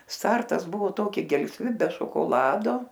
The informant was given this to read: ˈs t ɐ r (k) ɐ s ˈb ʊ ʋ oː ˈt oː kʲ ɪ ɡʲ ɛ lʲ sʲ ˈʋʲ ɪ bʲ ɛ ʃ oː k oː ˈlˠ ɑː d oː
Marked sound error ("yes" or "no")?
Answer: yes